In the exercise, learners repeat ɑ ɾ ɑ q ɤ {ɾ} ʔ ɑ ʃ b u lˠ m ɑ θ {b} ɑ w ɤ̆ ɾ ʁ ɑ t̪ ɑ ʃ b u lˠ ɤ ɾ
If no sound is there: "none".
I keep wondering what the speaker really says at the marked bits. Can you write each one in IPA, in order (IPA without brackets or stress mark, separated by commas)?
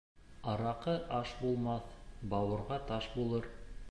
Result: none, b